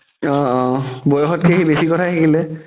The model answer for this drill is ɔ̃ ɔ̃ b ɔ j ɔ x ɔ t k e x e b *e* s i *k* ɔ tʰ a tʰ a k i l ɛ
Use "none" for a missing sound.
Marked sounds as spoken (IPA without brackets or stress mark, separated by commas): e, k